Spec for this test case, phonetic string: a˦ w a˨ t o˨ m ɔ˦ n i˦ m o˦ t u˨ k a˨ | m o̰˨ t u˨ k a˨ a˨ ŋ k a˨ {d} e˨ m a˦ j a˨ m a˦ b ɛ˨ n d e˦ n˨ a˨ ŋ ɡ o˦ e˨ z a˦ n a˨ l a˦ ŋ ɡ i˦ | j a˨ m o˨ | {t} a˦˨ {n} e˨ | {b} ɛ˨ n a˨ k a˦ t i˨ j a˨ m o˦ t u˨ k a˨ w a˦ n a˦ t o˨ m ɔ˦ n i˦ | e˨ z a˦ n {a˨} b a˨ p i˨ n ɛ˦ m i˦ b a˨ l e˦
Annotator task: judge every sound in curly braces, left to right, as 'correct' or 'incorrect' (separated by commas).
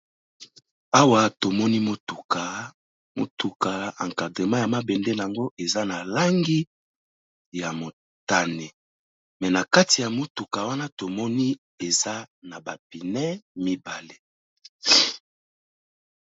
correct, correct, correct, incorrect, correct